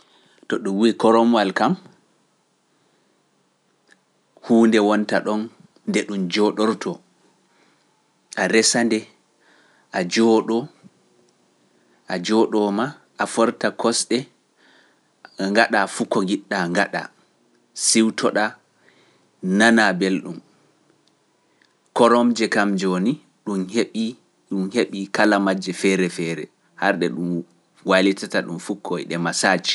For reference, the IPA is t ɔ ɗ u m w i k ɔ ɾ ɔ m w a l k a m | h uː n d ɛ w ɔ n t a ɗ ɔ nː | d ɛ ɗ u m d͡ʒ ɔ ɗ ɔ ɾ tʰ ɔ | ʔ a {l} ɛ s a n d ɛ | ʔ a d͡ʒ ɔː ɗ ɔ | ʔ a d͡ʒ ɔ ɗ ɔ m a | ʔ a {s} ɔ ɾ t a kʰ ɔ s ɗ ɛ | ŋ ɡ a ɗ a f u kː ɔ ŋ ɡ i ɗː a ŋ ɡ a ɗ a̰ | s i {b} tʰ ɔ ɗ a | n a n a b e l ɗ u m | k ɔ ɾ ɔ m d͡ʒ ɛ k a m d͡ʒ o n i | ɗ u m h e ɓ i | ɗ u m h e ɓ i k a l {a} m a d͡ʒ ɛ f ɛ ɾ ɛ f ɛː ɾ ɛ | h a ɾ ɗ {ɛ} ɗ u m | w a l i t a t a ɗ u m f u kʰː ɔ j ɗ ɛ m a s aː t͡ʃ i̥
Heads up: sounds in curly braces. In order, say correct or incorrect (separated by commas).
incorrect, incorrect, incorrect, correct, correct